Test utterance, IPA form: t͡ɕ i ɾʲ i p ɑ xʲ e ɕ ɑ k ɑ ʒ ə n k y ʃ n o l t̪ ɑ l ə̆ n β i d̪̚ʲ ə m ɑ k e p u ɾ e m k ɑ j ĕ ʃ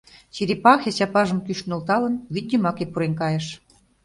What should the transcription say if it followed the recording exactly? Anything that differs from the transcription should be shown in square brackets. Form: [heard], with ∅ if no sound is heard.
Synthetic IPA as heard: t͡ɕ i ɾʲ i p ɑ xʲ e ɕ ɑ [p] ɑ ʒ ə [m] k y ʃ n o l t̪ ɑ l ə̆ n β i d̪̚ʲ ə m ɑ k e p u ɾ e [n] k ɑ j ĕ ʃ